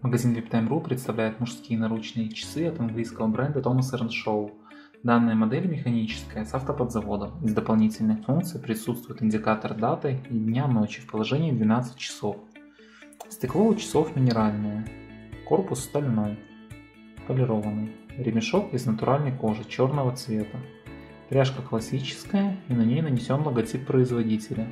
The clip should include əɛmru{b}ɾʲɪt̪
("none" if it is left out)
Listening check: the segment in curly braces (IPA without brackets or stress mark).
p